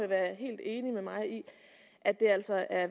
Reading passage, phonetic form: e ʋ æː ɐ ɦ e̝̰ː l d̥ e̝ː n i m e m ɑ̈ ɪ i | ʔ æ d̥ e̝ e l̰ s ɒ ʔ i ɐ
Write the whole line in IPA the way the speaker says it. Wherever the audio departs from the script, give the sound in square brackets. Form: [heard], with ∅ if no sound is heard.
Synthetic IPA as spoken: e ʋ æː ɐ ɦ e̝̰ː l d̥ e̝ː n i m e m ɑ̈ ɪ i | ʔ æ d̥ e̝ [æ] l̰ s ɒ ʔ [æ] ɐ